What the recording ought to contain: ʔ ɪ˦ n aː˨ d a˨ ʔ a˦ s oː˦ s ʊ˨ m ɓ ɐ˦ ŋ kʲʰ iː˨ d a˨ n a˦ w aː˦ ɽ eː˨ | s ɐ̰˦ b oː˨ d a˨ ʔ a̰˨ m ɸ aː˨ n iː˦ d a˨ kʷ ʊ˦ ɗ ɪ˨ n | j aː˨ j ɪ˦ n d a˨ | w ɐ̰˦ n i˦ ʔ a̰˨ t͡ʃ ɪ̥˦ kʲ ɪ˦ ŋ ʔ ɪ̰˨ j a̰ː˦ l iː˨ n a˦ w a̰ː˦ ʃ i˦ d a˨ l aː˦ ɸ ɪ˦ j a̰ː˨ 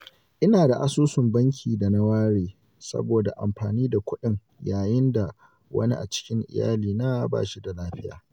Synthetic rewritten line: ʔ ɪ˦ n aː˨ d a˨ ʔ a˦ s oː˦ s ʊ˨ m b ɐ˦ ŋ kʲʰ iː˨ d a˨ n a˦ w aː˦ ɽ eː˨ | s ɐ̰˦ b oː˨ d a˨ ʔ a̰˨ m ɸ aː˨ n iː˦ d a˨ kʷ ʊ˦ ɗ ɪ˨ ŋ | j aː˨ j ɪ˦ n d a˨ | w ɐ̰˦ n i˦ ʔ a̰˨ t͡ʃ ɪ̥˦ kʲ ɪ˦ ŋ ʔ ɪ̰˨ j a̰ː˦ l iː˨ n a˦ b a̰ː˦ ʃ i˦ d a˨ l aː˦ ɸ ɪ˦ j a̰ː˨

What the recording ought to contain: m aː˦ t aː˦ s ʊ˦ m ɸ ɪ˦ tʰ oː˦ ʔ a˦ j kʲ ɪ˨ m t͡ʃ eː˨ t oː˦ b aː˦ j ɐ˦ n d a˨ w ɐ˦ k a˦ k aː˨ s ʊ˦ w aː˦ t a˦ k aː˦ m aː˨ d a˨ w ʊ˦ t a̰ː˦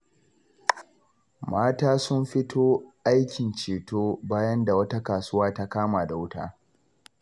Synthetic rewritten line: m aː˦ t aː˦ s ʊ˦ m ɸ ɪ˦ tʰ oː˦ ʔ a˦ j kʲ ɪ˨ n t͡ʃ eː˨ t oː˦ b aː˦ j ɐ˦ n d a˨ w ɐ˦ t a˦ k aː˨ s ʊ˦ w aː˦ t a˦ k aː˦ m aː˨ d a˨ w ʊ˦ t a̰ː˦

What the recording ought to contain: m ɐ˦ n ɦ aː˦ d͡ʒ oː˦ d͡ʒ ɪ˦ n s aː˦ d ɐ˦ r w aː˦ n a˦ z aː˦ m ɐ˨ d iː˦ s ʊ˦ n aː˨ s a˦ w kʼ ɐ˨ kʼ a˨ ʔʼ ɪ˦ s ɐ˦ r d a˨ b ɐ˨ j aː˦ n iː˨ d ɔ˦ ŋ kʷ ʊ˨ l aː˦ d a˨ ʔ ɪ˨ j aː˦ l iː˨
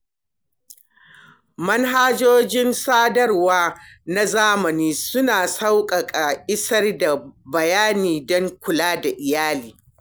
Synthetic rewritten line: m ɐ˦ n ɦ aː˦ d͡ʒ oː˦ d͡ʒ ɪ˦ n s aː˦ d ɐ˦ r w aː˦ n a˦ z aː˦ m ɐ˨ n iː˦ s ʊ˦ n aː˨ s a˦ w kʼ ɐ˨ kʼ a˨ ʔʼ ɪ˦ s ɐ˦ r d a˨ b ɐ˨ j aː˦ n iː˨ d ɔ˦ ŋ kʷ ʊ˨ l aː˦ d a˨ ʔ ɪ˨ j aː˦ l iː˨

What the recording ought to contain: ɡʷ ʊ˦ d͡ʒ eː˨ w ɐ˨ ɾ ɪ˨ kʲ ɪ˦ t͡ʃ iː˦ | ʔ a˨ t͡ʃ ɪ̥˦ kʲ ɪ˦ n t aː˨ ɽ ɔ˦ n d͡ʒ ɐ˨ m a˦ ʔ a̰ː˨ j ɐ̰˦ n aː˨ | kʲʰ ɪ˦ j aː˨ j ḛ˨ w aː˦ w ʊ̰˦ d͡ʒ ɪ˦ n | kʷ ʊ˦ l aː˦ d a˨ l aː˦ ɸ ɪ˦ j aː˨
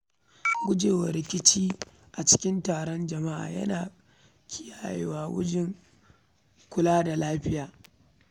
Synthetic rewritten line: ɡʷ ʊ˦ d͡ʒ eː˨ w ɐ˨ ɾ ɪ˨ kʲ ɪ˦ t͡ʃ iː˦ | ʔ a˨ t͡ʃ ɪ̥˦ kʲ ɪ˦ n t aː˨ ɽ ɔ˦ n d͡ʒ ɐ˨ m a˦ ʔ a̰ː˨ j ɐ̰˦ n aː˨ | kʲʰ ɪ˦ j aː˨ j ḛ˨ w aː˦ w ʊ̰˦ d͡ʒ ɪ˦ ŋ | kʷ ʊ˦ l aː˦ d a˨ l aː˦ ɸ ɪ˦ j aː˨

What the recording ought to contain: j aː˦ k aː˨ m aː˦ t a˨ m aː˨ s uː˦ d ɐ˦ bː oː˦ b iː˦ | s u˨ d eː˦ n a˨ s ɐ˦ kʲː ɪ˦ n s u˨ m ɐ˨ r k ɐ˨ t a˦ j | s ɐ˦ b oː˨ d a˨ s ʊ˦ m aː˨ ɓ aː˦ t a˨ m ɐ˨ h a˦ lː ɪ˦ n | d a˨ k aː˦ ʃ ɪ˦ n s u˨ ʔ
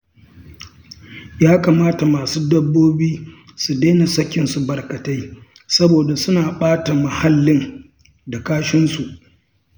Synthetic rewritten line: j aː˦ k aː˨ m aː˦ t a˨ m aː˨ s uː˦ d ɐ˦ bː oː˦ b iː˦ | s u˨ d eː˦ n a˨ s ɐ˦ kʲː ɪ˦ n s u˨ b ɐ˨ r k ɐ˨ t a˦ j | s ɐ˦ b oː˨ d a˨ s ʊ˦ n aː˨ ɓ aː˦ t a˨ m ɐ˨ h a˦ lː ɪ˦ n | d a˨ k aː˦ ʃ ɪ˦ n s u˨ ʔ

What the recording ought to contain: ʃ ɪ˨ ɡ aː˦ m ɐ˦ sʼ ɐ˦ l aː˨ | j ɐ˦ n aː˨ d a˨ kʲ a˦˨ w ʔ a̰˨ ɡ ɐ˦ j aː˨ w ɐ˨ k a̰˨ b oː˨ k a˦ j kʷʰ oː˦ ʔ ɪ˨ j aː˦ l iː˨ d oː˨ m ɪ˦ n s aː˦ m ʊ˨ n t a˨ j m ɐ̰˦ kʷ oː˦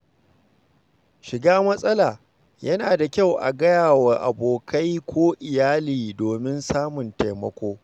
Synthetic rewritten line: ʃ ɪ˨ ɡ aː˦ m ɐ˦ sʼ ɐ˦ l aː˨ | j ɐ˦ n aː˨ d a˨ kʲ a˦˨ w ʔ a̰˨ ɡ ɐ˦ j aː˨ w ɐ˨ ʔ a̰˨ b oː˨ k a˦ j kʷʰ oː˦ ʔ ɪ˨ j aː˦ l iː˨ d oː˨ m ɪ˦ n s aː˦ m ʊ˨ n t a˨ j m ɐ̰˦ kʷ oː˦

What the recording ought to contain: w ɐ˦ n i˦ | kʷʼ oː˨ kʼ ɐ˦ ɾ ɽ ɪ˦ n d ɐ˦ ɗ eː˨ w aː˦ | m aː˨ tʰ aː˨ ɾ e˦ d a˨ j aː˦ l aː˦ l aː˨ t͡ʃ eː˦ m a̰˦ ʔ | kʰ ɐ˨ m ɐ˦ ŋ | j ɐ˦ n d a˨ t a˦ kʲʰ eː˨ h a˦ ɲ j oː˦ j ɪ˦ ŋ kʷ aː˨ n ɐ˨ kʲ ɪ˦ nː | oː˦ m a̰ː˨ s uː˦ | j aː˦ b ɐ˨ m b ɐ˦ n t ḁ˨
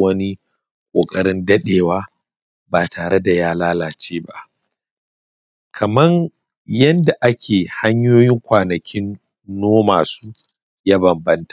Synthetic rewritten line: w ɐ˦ n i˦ | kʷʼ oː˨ kʼ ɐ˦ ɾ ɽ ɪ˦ n d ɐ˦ ɗ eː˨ w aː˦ | b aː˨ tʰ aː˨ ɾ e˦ d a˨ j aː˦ l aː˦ l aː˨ t͡ʃ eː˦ b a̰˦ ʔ | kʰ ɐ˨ m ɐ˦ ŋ | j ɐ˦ n d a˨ ʔ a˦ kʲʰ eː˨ h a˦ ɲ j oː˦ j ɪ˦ ŋ kʷ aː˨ n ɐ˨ kʲ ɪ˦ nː | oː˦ m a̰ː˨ s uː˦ | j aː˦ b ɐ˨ m b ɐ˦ n t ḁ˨

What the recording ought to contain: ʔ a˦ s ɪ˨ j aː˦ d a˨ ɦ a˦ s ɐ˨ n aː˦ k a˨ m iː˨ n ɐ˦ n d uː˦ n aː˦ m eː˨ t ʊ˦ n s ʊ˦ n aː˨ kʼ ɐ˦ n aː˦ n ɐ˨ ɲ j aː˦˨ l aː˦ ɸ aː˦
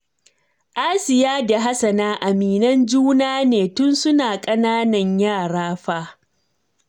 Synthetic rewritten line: ʔ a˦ s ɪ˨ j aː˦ d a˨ ɦ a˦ s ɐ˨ n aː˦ ʔ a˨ m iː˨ n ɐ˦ n d͡ʒ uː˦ n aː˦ n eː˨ t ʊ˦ n s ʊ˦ n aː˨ kʼ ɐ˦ n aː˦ n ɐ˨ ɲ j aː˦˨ ɽ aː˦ ɸ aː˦

